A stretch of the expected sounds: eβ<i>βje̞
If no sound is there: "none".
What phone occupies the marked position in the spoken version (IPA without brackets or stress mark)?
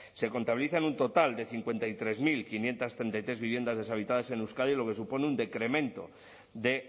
i